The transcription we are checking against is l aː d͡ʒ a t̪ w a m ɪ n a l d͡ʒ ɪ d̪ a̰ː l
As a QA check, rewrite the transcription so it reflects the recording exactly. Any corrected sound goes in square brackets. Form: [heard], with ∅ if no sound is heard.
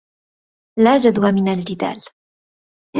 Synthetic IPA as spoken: l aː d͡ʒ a [d̪] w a m ɪ n a l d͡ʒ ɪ d̪ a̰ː l